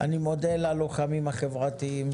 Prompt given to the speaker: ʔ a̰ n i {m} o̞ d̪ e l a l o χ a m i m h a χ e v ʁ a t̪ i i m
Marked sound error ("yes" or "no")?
no